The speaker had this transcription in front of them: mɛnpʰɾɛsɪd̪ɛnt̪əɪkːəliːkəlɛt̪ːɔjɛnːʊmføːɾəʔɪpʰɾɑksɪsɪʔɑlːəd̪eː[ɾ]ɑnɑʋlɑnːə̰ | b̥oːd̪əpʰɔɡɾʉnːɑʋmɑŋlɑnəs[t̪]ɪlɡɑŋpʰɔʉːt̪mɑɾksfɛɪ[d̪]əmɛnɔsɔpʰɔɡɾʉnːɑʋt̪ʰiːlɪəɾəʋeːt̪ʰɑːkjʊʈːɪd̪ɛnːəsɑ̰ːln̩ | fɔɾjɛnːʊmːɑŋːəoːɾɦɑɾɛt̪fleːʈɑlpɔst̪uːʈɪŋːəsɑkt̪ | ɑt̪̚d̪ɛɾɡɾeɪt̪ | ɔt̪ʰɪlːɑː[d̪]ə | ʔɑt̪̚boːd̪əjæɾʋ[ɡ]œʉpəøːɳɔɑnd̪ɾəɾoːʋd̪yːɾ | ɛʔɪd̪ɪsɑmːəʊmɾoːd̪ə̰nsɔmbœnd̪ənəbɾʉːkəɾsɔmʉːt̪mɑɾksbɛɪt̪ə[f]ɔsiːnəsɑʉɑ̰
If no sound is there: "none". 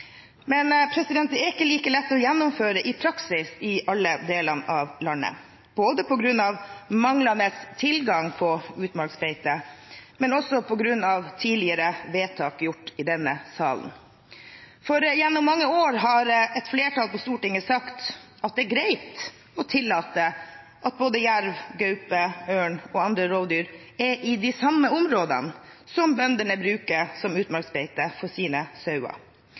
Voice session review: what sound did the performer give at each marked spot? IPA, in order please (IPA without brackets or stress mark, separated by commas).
l, t̪ʰ, t̪, t̪, ɡ, f